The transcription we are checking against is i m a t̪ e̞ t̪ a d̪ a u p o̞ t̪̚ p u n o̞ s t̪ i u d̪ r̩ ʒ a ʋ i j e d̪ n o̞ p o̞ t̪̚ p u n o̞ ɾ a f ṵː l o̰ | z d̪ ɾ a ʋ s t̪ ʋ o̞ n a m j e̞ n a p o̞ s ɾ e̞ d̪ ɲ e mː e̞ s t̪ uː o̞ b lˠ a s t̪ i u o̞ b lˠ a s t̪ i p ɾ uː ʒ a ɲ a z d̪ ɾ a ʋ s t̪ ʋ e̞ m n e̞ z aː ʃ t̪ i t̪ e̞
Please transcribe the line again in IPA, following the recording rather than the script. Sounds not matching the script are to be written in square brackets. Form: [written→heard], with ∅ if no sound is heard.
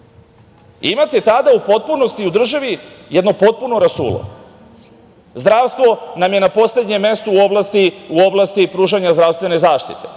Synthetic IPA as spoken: i m a t̪ e̞ t̪ a d̪ a u p o̞ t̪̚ p u n o̞ s t̪ i u d̪ r̩ ʒ a ʋ i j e d̪ n o̞ p o̞ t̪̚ p u n o̞ ɾ a [f→s] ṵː l o̰ | z d̪ ɾ a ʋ s t̪ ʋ o̞ n a m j e̞ n a p o̞ s [ɾ→l] e̞ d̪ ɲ e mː e̞ s t̪ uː o̞ b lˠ a s t̪ i u o̞ b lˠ a s t̪ i p ɾ uː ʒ a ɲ a z d̪ ɾ a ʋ s t̪ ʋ e̞ [m→∅] n e̞ z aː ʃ t̪ i t̪ e̞